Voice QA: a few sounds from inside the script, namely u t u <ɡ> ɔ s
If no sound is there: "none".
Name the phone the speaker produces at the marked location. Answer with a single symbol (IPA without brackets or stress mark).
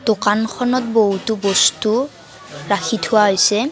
b